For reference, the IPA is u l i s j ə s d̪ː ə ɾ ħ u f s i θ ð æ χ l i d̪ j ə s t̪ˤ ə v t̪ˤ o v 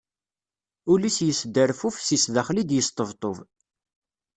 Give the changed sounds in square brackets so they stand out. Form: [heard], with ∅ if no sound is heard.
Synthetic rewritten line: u l i s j ə s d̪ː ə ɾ [f] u f s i [s] ð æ χ l i d̪ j ə s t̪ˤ ə v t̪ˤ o v